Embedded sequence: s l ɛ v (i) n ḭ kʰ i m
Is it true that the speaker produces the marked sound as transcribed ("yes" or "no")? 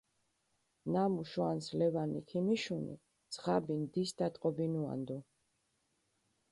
no